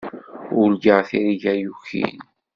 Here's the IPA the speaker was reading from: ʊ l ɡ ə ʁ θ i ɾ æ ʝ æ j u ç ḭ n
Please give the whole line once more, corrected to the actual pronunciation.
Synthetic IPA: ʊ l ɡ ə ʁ θ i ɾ i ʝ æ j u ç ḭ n